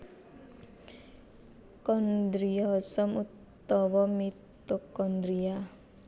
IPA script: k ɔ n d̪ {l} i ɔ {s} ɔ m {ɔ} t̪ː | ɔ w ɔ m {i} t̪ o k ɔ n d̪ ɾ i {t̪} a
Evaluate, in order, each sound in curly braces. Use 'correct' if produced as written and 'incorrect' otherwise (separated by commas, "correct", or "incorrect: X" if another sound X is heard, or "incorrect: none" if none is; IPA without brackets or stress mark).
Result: incorrect: ɾ, correct, incorrect: u, correct, incorrect: none